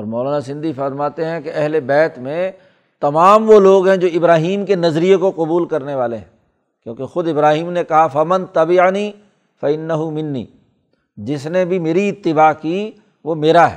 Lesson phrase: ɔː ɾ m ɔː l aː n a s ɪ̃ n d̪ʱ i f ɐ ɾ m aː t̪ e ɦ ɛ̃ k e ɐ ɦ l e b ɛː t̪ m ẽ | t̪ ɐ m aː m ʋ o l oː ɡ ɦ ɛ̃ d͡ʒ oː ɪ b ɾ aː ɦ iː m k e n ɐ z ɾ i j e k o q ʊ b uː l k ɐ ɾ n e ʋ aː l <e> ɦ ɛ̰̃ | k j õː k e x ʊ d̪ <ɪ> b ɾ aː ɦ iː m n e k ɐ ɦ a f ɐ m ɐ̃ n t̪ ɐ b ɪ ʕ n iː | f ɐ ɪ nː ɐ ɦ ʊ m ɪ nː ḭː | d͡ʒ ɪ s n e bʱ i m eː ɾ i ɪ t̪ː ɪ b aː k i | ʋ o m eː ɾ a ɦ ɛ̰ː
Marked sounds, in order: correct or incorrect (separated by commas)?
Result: correct, correct